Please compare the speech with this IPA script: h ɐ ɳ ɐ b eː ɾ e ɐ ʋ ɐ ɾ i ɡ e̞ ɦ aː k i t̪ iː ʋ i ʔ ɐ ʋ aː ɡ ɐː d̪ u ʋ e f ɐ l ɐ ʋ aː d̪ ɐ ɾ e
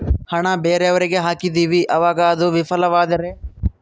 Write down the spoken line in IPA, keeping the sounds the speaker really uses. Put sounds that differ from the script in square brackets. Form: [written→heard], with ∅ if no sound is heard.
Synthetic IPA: h ɐ ɳ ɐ b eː ɾ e ɐ ʋ ɐ ɾ i ɡ e̞ ɦ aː k i [t̪→d̪] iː ʋ i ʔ ɐ ʋ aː ɡ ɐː d̪ u ʋ [e→i] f ɐ l ɐ ʋ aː d̪ ɐ ɾ e